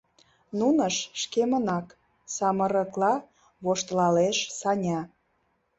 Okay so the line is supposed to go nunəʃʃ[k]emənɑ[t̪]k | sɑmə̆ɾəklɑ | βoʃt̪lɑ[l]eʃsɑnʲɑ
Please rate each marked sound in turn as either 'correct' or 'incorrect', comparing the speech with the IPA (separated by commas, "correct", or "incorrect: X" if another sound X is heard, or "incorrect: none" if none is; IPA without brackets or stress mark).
correct, incorrect: none, correct